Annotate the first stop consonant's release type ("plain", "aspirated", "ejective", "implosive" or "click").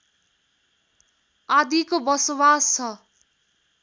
plain